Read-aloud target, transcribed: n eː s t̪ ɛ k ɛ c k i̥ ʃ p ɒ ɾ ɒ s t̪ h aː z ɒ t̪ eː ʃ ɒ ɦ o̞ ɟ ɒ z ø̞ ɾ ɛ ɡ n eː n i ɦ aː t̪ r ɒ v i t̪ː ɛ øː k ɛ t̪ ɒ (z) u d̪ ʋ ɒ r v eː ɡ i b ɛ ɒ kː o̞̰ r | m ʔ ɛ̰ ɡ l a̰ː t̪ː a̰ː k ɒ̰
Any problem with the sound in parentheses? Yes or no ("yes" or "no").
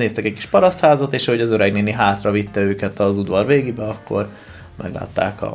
no